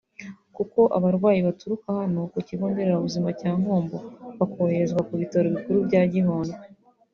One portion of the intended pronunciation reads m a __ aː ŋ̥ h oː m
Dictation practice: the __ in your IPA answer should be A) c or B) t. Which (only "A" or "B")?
A